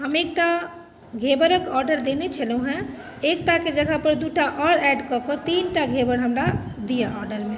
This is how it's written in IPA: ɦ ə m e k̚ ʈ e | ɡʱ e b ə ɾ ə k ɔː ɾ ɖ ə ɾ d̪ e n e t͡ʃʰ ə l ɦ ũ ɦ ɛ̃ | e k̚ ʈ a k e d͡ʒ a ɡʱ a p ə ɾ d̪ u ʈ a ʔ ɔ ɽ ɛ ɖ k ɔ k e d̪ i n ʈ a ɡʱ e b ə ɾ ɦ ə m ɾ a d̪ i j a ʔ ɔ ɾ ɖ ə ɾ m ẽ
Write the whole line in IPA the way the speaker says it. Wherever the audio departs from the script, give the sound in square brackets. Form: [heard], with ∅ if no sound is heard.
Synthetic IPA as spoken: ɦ ə m e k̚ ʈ [a] | ɡʱ e b ə ɾ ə k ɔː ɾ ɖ ə ɾ d̪ e n e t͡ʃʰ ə l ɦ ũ ɦ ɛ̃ | e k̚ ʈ a k e d͡ʒ [ə] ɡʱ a p ə ɾ d̪ u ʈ a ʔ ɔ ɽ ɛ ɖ k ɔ k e [t̪] i n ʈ a ɡʱ e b ə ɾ ɦ ə m ɾ a d̪ i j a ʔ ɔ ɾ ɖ ə ɾ m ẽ